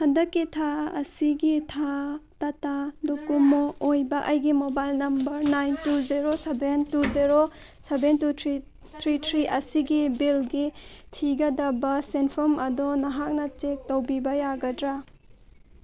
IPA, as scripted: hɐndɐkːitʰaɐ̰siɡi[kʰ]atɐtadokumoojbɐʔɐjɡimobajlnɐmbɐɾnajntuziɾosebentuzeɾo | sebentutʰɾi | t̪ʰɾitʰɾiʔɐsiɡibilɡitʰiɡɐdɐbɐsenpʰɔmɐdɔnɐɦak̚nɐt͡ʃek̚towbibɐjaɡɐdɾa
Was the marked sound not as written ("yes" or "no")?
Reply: yes